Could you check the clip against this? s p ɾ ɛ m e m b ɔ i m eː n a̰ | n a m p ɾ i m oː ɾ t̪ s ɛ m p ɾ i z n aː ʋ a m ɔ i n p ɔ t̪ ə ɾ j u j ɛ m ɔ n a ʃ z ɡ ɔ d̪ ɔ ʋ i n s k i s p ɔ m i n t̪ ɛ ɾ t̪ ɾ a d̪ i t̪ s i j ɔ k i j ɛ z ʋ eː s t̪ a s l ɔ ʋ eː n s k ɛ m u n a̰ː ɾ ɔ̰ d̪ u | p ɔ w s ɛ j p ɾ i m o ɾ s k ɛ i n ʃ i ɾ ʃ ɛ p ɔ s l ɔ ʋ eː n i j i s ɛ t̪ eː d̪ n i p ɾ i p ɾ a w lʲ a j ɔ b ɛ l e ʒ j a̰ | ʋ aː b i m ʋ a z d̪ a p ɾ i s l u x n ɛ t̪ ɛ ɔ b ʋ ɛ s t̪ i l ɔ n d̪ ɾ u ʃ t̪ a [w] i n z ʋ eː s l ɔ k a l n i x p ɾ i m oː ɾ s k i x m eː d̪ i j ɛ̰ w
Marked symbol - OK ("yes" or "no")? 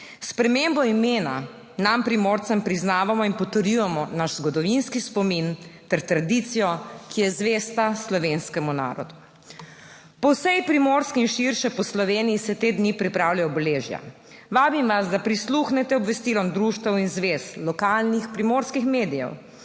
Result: yes